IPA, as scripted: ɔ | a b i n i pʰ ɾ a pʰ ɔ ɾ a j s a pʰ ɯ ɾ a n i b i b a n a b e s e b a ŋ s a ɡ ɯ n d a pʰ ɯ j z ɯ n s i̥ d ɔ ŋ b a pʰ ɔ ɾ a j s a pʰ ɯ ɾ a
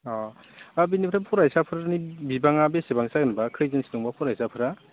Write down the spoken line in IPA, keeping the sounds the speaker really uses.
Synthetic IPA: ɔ | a b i n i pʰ ɾ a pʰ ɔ ɾ a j s a pʰ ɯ ɾ a n i b i b a ŋ a b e s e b a ŋ s a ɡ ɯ n b a kʰ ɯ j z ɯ n s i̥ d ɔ ŋ b a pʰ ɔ ɾ a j s a pʰ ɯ ɾ a

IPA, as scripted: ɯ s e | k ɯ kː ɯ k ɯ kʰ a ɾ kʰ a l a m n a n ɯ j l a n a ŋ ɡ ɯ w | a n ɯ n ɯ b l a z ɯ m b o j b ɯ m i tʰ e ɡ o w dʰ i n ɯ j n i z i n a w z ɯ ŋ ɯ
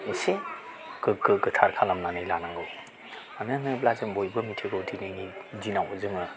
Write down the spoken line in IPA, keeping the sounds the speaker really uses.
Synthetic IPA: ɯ s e | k ɯ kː ɯ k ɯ tʰ a ɾ kʰ a l a m n a n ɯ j l a n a ŋ ɡ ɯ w | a n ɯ n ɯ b l a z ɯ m b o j b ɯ m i tʰ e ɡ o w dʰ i n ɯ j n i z i n a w z ɯ ŋ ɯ

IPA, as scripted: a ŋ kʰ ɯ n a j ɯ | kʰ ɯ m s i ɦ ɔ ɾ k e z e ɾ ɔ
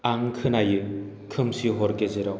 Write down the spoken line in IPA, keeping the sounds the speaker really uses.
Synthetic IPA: a ŋ kʰ ɯ n a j ɯ | kʰ ɯ m s i ɦ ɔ ɾ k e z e ɾ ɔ

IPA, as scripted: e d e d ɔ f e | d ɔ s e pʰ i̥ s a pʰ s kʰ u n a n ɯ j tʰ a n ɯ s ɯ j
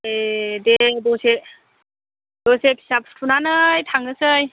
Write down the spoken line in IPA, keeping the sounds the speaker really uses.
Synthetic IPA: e d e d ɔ s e | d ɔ s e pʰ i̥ s a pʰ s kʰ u n a n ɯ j tʰ a ŋ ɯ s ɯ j

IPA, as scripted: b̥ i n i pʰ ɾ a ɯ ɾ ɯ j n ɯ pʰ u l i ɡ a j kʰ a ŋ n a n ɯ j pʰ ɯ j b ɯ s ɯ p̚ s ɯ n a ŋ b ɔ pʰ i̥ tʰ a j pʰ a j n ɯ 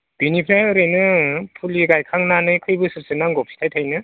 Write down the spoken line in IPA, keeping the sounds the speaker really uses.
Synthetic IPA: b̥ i n i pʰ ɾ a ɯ ɾ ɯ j n ɯ pʰ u l i ɡ a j kʰ a ŋ n a n ɯ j kʰ ɯ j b ɯ s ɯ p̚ s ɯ n a ŋ ɡ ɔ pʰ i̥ tʰ a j tʰ a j n ɯ

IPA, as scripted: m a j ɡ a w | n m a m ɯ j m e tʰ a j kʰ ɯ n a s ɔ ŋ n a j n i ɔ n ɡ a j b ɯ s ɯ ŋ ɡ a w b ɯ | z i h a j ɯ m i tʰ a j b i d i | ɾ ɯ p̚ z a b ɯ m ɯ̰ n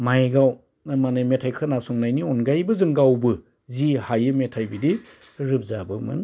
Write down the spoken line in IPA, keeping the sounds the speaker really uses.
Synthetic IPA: m a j ɡ a w | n m a n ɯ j m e tʰ a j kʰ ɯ n a s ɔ ŋ n a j n i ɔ n ɡ a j b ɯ z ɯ ŋ ɡ a w b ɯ | z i h a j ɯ m e tʰ a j b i d i | ɾ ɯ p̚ z a b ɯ m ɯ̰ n

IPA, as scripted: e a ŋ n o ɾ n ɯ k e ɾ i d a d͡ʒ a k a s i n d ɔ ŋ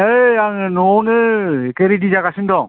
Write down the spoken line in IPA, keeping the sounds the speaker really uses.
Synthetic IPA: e a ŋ n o n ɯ k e ɾ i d i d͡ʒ a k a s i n d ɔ ŋ

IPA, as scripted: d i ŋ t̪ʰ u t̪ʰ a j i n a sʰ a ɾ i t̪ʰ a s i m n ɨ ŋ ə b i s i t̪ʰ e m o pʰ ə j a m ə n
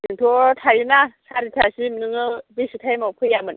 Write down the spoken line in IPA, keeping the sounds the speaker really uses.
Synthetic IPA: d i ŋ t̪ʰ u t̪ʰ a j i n a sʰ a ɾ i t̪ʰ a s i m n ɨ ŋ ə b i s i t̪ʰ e m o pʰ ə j a m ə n

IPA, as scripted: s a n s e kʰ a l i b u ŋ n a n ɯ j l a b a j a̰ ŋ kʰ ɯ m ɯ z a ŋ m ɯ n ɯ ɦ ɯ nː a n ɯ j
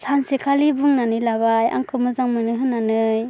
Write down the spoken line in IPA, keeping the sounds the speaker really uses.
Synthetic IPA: s a n s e kʰ a l i b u ŋ n a n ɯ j l a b a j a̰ ŋ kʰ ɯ m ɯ z a ŋ m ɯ n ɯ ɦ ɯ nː a n ɯ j

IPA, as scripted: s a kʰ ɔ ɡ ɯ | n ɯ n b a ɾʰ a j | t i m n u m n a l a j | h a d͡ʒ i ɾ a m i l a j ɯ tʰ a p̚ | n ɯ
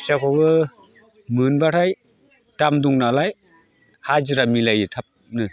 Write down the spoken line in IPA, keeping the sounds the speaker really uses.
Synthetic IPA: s a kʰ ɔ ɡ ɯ | m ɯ n b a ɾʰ a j | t a m d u ŋ n a l a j | h a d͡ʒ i ɾ a m i l a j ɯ tʰ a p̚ | n ɯ

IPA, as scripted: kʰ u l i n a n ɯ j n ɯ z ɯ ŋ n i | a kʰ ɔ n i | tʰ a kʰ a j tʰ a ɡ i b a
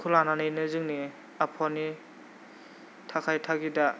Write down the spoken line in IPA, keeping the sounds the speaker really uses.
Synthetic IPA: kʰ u l a n a n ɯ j n ɯ z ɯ ŋ n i | a pʰ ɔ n i | tʰ a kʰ a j tʰ a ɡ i d a

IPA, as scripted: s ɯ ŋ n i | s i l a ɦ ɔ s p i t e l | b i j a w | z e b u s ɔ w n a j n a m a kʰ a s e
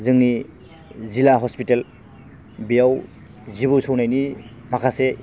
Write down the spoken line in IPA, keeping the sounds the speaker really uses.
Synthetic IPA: z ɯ ŋ n i | z i l a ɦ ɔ s p i t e l | b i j a w | z i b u s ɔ w n a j n i m a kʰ a s e

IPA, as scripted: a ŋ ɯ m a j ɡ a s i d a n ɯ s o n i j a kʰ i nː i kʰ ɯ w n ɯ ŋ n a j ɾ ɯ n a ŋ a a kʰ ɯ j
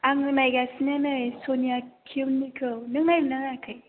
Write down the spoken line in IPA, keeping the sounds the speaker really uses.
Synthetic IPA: a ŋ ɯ m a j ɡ a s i n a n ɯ s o n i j a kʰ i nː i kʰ ɯ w n ɯ ŋ n a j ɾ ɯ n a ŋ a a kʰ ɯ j

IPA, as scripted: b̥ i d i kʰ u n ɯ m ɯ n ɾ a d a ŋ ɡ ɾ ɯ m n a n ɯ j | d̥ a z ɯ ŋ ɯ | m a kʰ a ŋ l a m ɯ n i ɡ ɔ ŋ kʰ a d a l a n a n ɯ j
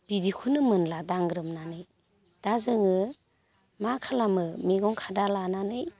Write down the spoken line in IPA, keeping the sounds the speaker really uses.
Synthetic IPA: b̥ i d i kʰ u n ɯ m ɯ n l a d a ŋ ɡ ɾ ɯ m n a n ɯ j | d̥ a z ɯ ŋ ɯ | m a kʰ a l a m ɯ m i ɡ ɔ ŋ kʰ a d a l a n a n ɯ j

